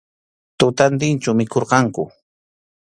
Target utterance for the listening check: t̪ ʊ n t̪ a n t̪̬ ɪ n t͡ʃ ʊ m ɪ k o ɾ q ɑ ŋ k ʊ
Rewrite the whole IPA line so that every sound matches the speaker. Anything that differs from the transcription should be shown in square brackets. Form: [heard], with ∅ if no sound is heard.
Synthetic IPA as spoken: t̪ ʊ [∅] t̪ a n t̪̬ ɪ n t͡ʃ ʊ m ɪ k o ɾ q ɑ ŋ k ʊ